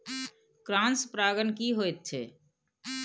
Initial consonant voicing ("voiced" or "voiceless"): voiceless